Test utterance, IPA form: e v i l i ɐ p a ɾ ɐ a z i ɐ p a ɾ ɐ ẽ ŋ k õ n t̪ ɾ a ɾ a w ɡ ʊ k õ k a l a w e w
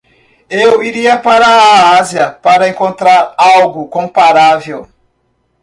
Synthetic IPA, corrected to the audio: e w i ɾ i ɐ p a ɾ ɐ a z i ɐ p a ɾ ɐ ẽ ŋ k õ n t̪ ɾ a ɾ a w ɡ ʊ k õ p a ɾ a v e w